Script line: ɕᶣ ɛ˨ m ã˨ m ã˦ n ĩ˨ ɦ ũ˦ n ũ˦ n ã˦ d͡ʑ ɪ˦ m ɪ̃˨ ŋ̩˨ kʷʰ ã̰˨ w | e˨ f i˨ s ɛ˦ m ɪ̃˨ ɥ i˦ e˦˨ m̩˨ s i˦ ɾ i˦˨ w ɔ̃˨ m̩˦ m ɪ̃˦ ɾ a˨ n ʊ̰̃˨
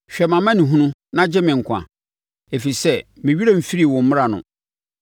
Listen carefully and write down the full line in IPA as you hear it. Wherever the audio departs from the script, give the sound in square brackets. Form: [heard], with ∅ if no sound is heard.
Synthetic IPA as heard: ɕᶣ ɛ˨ m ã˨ m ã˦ n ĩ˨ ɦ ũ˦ n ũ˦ n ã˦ d͡ʑ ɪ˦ m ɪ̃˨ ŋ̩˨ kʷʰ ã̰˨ [∅] | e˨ f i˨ s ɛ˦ m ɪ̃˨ ɥ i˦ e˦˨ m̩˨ [f] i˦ ɾ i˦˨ w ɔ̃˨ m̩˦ m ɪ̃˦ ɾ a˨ n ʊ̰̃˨